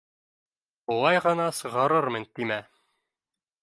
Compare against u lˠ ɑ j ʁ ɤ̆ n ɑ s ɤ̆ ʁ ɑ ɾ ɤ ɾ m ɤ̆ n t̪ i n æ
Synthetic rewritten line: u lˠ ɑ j ʁ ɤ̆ n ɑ s ɤ̆ ʁ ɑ ɾ ɤ ɾ m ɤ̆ n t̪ i m æ